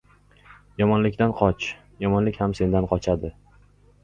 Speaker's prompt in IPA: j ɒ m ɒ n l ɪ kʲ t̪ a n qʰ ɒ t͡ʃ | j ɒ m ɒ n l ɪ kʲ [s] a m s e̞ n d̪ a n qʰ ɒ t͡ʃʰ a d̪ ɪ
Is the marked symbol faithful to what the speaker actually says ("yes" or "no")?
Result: no